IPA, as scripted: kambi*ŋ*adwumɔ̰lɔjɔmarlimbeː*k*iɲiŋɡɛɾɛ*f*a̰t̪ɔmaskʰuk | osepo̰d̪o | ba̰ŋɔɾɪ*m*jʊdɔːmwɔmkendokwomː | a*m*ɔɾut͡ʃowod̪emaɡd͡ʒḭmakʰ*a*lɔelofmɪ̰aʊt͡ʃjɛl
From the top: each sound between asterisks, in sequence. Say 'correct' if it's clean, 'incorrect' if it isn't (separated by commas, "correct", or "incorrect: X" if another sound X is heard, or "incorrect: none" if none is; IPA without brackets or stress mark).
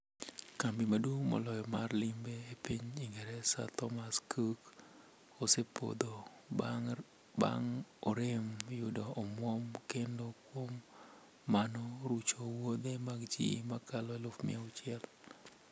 incorrect: m, incorrect: p, incorrect: s, correct, incorrect: n, correct